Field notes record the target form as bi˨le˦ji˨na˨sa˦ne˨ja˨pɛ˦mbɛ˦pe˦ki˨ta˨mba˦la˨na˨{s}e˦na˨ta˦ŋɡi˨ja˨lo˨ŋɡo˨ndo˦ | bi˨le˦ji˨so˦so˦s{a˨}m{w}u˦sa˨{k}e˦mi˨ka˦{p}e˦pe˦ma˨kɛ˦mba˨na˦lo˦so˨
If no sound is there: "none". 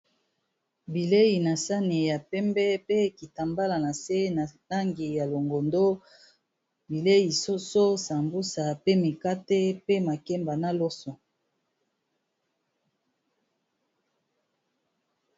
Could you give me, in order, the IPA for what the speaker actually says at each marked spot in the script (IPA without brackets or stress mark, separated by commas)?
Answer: s, a˨, b, p, t